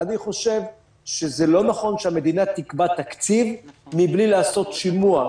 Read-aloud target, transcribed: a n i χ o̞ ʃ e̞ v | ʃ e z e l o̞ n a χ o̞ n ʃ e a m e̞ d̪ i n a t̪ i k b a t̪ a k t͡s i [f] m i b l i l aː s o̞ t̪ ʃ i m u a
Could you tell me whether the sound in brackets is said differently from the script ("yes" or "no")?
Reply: yes